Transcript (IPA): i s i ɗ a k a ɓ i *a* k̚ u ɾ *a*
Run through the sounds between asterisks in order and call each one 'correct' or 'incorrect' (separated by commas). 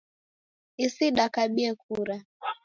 incorrect, correct